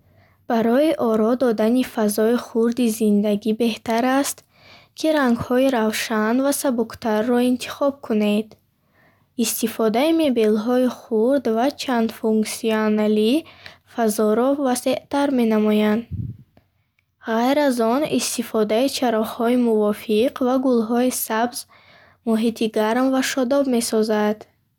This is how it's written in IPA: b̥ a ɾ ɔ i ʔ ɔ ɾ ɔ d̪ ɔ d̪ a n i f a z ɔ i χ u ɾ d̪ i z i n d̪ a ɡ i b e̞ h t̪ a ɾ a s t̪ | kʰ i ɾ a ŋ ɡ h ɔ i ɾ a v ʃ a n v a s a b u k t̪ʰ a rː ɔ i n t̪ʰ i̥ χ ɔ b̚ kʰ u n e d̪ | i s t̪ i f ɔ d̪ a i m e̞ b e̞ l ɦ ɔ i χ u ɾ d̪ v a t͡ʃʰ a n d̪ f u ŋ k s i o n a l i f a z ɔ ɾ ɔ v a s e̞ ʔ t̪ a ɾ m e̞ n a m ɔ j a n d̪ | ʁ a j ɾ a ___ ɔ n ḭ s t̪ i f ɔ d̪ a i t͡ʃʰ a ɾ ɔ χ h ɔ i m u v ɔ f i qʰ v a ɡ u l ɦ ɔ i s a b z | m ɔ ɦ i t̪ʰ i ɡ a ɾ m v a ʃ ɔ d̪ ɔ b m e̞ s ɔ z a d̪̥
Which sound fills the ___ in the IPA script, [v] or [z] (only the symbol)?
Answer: z